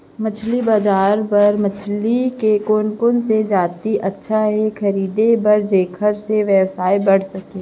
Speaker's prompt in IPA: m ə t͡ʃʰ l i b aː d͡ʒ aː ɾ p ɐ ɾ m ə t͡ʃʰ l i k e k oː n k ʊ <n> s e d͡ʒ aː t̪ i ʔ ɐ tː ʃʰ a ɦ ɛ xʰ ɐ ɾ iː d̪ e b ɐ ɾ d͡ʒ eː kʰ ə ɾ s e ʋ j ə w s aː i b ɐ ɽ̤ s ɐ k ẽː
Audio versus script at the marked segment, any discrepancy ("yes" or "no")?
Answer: no